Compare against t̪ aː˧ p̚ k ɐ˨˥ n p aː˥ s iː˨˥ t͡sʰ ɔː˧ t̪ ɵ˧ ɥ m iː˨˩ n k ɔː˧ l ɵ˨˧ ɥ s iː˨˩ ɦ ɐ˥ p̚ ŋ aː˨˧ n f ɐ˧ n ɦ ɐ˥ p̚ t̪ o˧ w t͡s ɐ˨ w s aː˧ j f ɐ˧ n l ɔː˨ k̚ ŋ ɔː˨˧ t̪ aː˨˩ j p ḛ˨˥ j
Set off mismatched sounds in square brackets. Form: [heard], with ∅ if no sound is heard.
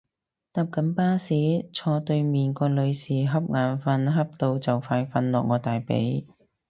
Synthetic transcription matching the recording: t̪ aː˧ p̚ k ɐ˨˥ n p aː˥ s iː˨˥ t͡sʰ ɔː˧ t̪ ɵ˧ ɥ m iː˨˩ n k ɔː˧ l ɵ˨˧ ɥ s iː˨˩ ɦ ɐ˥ p̚ ŋ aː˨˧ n f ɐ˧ n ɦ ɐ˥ p̚ t̪ o˧ w t͡s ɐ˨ w [f] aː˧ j f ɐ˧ n l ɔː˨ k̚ ŋ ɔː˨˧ t̪ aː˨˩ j p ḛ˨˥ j